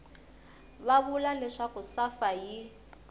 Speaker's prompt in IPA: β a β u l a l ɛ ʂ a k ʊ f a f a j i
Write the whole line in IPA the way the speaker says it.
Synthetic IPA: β a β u l a l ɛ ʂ a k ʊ s a f a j i